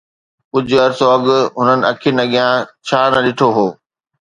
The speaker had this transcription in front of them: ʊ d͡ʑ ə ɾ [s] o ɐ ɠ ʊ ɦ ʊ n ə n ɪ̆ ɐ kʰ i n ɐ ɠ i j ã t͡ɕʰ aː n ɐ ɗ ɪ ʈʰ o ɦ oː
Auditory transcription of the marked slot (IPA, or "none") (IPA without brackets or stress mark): s